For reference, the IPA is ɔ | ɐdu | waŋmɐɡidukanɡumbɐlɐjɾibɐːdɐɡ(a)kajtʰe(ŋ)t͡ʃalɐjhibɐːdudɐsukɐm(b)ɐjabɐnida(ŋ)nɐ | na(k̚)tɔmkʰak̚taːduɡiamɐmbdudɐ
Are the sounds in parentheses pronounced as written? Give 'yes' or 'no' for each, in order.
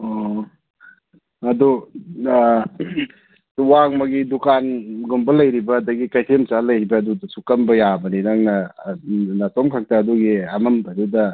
no, no, yes, yes, no

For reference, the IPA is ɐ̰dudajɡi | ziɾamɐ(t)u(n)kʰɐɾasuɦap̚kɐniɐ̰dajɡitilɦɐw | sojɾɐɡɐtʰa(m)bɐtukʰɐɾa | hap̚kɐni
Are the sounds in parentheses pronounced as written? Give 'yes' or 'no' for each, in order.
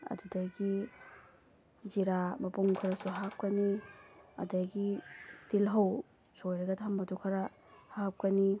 no, no, yes

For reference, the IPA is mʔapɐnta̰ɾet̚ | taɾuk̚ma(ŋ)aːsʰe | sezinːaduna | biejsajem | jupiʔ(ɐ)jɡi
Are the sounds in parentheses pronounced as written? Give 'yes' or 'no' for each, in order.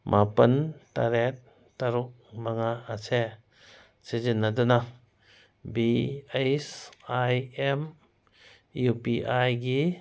yes, no

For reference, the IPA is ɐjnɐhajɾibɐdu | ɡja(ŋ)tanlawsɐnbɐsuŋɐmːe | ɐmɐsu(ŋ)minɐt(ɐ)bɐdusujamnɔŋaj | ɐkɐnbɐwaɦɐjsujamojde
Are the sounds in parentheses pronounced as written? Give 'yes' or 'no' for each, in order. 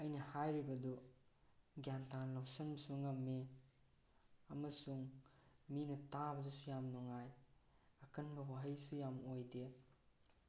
no, yes, no

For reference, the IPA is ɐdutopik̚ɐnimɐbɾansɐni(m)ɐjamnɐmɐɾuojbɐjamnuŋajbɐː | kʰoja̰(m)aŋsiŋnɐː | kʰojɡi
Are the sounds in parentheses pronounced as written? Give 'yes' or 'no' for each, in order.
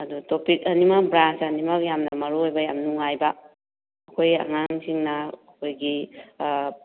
yes, no

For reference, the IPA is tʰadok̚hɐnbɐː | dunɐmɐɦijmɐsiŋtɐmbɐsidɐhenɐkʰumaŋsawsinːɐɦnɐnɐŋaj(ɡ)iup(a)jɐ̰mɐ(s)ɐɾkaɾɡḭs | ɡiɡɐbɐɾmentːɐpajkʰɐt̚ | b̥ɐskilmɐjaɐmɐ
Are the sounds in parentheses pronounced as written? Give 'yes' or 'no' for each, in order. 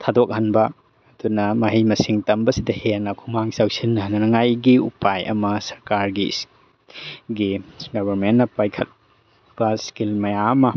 yes, yes, yes

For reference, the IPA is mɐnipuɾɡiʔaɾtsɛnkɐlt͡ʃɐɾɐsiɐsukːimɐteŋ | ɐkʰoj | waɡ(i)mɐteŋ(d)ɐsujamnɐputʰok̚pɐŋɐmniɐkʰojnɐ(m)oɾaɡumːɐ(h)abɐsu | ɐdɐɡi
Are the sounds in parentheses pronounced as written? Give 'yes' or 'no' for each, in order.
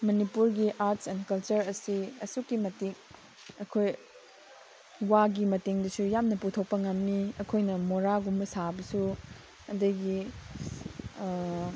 yes, yes, yes, no

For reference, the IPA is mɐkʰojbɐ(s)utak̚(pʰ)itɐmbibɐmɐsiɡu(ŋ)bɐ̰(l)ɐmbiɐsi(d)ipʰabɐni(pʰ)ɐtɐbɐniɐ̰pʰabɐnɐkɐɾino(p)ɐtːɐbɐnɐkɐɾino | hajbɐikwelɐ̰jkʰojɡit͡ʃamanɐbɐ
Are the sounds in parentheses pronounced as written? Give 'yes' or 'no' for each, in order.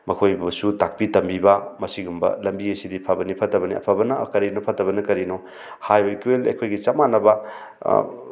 yes, no, no, yes, yes, yes, no

